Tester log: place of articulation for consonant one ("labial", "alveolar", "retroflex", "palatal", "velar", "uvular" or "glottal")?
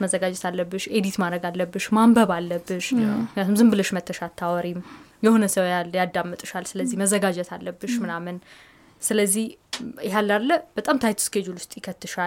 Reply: labial